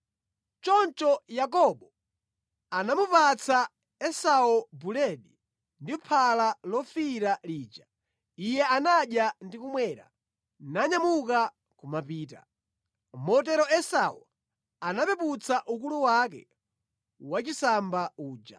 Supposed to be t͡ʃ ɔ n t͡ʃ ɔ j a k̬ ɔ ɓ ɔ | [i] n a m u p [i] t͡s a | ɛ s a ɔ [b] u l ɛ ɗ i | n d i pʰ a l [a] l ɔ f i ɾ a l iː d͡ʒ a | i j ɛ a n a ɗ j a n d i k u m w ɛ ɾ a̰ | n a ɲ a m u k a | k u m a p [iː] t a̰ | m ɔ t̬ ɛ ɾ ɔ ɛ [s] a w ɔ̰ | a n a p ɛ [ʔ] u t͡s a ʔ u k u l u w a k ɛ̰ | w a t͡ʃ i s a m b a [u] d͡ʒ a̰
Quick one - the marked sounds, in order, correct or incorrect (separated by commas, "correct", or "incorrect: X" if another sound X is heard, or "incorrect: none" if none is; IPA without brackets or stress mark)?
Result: incorrect: a, incorrect: a, correct, correct, correct, correct, incorrect: p, incorrect: uː